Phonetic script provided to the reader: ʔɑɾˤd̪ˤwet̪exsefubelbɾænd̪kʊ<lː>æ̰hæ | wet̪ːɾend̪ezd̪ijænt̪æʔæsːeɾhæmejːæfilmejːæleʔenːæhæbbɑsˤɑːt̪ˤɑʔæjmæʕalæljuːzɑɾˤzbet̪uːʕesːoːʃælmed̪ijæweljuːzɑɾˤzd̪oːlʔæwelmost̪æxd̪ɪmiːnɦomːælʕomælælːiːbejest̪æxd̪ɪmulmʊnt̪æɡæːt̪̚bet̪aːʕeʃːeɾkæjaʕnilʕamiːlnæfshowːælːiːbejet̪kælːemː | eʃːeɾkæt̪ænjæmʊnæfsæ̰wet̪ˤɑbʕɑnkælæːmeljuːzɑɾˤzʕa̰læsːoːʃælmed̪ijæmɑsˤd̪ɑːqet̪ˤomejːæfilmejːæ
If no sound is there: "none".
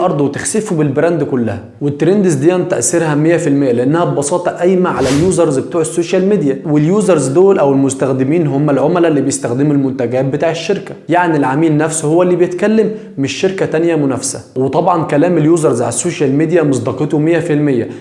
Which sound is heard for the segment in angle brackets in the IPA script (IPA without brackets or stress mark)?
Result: lː